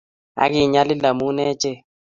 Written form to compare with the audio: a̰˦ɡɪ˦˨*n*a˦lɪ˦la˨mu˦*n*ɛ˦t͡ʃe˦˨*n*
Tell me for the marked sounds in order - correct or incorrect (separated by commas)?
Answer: incorrect, correct, incorrect